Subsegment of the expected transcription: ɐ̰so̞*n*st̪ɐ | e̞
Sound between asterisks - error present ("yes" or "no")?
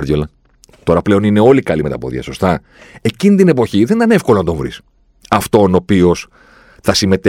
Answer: yes